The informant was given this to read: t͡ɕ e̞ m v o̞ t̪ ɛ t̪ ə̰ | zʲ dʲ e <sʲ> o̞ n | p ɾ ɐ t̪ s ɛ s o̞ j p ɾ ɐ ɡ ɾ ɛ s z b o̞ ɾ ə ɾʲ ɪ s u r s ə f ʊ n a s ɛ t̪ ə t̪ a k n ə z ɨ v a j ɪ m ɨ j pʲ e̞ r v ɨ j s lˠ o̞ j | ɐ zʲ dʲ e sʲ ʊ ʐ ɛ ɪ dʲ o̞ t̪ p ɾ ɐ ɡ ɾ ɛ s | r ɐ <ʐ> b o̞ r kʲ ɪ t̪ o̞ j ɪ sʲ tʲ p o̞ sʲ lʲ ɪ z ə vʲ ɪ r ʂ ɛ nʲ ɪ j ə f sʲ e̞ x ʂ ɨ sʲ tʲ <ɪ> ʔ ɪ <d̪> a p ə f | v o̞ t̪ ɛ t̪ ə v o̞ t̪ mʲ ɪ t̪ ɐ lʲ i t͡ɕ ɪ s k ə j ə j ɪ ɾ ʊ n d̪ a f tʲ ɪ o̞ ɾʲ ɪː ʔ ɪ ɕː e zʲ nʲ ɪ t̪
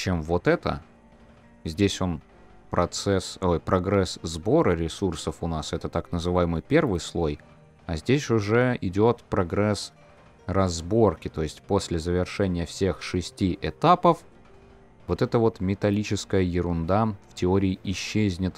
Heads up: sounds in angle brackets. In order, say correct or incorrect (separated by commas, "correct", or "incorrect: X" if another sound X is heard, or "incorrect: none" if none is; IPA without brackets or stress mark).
correct, incorrect: z, incorrect: i, incorrect: t̪